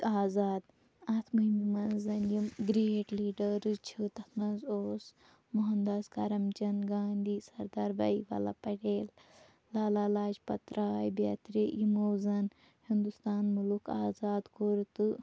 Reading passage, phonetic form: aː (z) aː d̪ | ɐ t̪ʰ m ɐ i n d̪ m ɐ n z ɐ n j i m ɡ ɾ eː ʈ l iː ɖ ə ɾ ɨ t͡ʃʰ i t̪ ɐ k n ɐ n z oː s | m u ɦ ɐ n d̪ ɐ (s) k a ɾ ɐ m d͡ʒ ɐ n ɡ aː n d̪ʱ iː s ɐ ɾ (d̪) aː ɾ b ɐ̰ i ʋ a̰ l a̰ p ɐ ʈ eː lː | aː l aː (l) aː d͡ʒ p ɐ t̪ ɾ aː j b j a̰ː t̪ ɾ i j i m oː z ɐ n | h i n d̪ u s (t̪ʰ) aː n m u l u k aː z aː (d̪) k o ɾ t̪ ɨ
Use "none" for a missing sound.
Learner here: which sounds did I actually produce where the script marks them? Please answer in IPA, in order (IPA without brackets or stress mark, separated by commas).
z, s, d̪, l, t̪, d̪